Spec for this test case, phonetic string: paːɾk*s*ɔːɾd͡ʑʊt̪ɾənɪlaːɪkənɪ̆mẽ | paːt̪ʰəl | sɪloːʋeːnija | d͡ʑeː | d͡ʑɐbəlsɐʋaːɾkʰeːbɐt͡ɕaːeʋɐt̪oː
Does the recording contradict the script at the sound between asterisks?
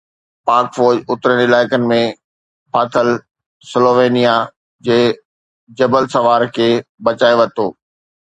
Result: yes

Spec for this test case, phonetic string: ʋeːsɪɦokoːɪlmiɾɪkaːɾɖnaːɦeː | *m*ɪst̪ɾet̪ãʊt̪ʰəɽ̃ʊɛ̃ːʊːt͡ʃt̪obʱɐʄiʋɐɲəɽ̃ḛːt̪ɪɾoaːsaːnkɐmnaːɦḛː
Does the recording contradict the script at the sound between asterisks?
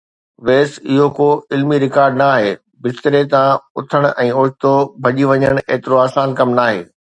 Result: yes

